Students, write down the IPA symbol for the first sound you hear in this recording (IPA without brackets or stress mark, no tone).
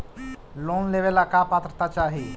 l